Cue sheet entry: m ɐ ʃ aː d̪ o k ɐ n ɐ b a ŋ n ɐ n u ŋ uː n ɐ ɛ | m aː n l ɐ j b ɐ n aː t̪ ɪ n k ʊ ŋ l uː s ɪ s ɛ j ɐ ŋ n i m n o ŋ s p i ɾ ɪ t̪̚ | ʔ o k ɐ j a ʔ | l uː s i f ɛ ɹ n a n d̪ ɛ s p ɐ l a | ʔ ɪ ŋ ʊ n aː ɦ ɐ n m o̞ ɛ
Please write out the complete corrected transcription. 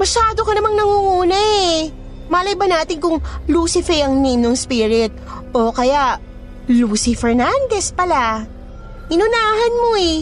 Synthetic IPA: m ɐ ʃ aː d̪ o k ɐ n ɐ m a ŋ n ɐ ŋ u ŋ uː n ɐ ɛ | m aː l ɐ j b ɐ n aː t̪ ɪ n k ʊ ŋ l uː s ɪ f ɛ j ɐ ŋ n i m n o ŋ s p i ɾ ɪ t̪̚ | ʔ o k ɐ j a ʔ | l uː s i f ɛ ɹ n a n d̪ ɛ s p ɐ l a | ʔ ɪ n ʊ n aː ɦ ɐ n m o̞ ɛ